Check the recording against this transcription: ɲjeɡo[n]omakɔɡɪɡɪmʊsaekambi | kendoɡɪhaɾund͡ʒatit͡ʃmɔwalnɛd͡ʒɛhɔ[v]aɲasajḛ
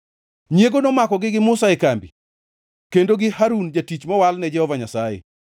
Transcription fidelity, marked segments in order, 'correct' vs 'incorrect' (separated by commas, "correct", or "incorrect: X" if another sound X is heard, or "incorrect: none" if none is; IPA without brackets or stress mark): correct, correct